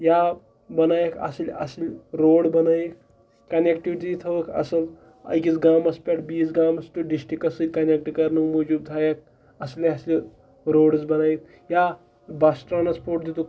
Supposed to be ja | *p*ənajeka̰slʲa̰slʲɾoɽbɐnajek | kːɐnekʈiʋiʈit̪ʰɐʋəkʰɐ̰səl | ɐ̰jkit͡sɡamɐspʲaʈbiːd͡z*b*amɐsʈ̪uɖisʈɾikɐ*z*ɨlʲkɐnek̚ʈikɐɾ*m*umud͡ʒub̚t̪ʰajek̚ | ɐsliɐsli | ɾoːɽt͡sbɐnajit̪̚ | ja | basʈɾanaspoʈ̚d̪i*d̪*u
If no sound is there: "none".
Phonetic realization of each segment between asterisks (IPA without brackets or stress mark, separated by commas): b, ɡ, s, n, t̪